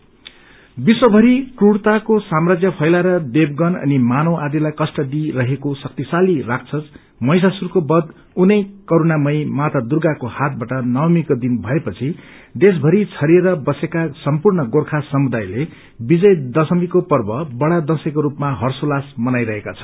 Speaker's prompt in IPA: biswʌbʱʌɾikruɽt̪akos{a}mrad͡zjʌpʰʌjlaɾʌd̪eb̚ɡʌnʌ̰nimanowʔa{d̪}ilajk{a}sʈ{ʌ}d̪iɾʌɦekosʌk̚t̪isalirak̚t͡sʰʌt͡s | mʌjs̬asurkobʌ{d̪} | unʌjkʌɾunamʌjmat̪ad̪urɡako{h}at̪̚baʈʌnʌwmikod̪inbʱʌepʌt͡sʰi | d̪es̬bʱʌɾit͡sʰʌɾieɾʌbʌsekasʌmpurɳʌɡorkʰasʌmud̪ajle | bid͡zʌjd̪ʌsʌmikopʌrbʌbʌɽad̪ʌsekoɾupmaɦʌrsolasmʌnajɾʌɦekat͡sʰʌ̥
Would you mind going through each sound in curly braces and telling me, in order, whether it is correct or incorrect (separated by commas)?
correct, correct, incorrect, correct, correct, correct